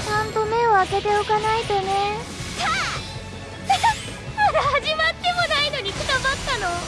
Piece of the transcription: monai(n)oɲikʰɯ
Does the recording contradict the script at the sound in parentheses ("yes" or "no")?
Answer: no